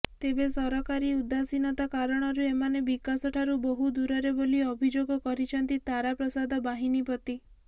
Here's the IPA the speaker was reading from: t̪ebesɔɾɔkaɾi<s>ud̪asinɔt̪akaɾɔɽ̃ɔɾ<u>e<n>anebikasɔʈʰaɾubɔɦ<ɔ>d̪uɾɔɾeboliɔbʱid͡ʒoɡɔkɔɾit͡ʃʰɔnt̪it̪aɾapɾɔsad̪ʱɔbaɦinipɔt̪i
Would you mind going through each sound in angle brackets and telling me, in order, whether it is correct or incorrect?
incorrect: none, correct, incorrect: m, incorrect: u

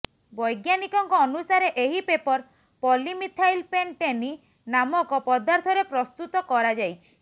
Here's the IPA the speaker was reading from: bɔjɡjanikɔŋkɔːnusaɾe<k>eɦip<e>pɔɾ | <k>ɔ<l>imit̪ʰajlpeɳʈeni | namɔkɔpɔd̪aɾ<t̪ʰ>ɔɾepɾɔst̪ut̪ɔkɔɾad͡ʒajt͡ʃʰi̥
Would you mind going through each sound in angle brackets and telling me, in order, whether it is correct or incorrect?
incorrect: ʔ, correct, incorrect: p, correct, correct

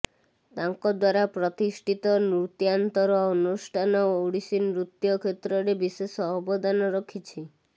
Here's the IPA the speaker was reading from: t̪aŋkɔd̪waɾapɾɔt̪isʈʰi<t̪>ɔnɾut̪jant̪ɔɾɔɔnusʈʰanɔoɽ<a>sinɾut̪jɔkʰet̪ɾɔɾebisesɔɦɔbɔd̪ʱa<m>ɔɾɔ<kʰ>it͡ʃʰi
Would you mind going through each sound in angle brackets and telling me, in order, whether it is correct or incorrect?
correct, incorrect: i, incorrect: n, correct

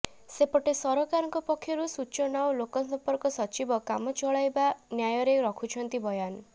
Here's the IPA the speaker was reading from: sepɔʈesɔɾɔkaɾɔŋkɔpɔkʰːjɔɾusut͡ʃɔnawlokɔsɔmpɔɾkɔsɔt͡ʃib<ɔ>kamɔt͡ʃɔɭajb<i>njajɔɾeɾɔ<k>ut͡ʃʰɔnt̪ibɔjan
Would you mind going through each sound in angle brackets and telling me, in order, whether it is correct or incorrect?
correct, incorrect: a, incorrect: kʰ

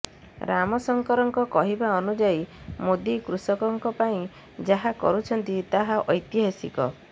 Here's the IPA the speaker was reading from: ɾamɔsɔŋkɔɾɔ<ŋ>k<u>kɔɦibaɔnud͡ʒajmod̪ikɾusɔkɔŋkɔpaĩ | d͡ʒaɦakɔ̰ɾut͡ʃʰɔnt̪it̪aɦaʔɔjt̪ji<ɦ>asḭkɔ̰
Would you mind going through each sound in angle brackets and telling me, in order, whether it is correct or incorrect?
correct, incorrect: ɔ, correct

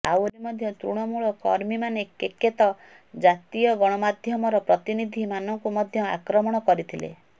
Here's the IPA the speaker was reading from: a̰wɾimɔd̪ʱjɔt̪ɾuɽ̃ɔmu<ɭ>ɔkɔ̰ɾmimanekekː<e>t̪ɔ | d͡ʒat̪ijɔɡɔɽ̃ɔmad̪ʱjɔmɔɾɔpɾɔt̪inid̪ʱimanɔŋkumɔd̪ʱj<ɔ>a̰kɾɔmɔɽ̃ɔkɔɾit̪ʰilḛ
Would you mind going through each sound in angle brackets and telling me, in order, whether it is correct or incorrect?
correct, correct, correct

